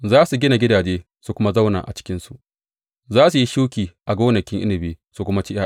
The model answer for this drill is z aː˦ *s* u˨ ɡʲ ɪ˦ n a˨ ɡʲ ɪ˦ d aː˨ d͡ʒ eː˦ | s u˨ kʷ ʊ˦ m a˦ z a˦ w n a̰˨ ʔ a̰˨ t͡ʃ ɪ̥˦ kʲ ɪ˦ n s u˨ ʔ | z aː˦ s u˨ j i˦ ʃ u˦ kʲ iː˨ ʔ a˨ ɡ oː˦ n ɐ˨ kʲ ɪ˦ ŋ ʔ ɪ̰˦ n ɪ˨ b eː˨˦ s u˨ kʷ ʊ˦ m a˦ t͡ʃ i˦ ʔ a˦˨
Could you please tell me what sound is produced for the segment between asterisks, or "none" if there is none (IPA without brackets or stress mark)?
s